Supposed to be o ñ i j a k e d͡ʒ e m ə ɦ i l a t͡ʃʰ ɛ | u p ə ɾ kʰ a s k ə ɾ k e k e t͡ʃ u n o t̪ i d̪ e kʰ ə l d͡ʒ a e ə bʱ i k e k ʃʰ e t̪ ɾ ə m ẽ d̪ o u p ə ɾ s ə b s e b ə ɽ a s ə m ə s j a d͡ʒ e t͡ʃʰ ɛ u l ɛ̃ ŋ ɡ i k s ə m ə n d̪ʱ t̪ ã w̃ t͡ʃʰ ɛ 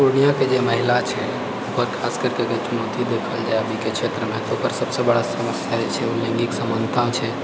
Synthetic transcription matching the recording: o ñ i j a k e d͡ʒ e m ə ɦ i l a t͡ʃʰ ɛ | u p ə ɾ kʰ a s k ə ɾ k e k e t͡ʃ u n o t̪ i d̪ e kʰ ə l d͡ʒ a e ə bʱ i k e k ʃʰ e t̪ ɾ ə m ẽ t̪ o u p ə ɾ s ə b s e b ə ɽ a s ə m ə s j a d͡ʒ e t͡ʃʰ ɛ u l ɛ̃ ŋ ɡ i k s ə m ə n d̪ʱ t̪ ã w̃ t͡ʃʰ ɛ